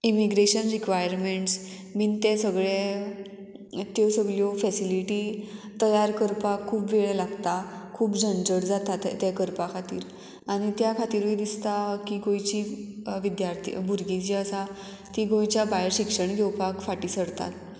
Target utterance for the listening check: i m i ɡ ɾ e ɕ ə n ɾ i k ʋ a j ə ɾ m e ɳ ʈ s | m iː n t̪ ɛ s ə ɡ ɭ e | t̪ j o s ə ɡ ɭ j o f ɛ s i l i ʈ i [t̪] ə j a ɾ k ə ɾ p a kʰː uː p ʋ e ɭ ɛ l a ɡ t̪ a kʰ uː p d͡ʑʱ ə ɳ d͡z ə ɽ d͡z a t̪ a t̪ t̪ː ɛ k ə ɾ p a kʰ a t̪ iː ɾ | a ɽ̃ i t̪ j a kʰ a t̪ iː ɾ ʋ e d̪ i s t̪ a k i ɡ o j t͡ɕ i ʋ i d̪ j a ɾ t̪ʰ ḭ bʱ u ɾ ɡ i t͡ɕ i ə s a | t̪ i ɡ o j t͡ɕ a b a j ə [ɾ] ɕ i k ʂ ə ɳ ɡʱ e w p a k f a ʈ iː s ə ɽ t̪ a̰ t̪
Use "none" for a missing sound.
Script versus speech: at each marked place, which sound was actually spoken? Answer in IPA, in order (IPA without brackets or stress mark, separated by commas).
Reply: t̪, ɾ